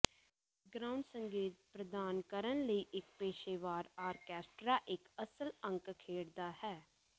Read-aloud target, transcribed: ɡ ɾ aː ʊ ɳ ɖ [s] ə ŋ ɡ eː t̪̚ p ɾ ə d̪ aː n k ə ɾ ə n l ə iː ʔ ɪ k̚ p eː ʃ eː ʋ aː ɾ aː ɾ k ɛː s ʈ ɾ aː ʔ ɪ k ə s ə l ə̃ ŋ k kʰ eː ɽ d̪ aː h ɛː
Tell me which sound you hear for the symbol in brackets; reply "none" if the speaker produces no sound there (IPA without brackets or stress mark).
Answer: s